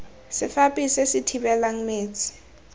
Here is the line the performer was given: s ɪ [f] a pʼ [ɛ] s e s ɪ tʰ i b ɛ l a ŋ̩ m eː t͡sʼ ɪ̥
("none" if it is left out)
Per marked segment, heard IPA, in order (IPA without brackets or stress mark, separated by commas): f, i